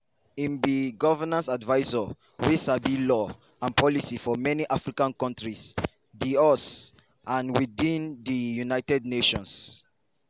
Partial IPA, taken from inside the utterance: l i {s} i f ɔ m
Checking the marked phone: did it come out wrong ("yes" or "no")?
no